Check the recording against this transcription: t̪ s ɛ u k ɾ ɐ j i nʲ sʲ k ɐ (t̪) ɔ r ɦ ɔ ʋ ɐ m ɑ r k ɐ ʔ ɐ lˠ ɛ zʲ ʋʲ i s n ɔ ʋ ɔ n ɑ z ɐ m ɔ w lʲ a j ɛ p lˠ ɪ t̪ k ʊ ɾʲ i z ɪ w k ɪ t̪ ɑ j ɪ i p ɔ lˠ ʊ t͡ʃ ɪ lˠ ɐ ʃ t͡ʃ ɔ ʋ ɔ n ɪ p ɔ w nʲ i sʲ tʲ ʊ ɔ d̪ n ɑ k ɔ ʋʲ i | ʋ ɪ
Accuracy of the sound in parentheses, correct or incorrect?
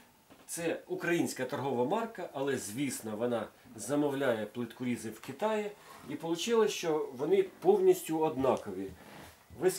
correct